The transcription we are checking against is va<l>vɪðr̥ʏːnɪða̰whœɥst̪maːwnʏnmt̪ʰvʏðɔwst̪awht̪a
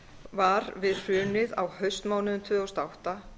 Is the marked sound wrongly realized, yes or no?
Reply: yes